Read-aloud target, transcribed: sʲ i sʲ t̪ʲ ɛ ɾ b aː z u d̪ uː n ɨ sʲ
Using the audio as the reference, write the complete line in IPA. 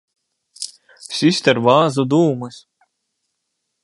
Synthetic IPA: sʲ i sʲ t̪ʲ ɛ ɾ v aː z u d̪ uː m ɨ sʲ